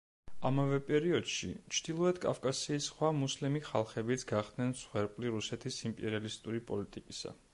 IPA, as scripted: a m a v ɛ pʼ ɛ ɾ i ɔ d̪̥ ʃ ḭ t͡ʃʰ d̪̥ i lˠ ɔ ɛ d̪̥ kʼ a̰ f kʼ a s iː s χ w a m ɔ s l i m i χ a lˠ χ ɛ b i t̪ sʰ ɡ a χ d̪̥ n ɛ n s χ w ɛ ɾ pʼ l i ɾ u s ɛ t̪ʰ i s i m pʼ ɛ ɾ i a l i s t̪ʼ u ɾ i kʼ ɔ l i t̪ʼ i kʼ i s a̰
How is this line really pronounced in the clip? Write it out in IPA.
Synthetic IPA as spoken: a m a v ɛ pʼ ɛ ɾ i ɔ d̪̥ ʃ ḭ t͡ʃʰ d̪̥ i lˠ ɔ ɛ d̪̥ kʼ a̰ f kʼ a s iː s χ w a m u s l i m i χ a lˠ χ ɛ b i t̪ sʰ ɡ a χ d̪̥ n ɛ n s χ w ɛ ɾ pʼ l i ɾ u s ɛ t̪ʰ i s i m pʼ ɛ ɾ i a l i s t̪ʼ u ɾ i pʼ ɔ l i t̪ʼ i kʼ i s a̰